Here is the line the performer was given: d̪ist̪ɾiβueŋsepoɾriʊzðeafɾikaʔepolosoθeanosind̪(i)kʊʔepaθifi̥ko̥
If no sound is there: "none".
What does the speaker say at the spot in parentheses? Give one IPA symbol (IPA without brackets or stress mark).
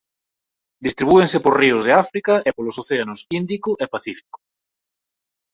i